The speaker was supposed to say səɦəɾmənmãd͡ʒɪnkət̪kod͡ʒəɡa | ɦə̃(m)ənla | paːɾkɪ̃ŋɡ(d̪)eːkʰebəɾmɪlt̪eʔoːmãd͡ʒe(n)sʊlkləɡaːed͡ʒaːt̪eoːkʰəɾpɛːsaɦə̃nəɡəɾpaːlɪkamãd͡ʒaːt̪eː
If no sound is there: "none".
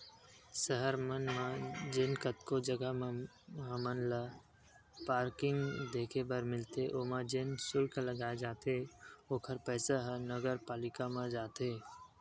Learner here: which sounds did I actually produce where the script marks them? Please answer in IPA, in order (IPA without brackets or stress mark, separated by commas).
m, d̪, n